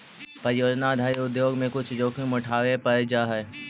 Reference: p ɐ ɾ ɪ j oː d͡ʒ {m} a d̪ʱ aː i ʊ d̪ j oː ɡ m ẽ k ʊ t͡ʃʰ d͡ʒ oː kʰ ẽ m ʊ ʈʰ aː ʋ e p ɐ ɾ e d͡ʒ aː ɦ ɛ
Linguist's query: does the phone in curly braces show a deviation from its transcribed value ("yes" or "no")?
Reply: yes